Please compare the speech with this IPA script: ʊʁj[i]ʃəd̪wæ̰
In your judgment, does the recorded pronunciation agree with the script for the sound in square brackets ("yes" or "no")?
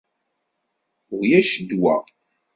no